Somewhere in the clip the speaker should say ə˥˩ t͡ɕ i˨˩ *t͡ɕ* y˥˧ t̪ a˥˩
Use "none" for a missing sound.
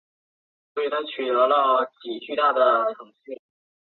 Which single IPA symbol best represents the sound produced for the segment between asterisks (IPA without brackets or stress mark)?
t͡ɕ